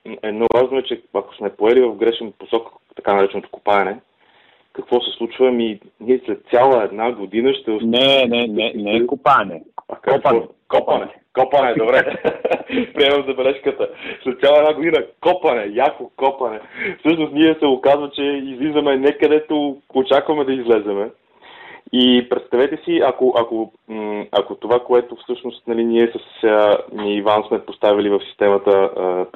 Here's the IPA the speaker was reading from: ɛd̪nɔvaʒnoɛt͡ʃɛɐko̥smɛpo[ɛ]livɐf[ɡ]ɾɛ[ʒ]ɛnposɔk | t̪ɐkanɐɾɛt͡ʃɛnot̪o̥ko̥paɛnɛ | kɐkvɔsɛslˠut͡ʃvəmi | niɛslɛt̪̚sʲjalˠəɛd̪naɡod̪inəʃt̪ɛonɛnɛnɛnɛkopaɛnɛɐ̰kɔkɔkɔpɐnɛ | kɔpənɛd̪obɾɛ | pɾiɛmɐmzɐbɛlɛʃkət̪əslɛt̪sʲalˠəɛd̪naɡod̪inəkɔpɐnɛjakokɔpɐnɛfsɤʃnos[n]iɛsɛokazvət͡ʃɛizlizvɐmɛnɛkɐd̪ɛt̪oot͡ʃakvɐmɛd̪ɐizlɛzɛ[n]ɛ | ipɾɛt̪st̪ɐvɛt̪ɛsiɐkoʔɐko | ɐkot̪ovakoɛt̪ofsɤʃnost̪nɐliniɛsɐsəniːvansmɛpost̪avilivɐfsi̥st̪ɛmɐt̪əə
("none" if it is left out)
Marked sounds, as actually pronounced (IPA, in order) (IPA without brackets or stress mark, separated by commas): ɛ, ɡ, ʃ, n, m